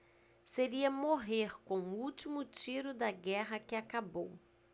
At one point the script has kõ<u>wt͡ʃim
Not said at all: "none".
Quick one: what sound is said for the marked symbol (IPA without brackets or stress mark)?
u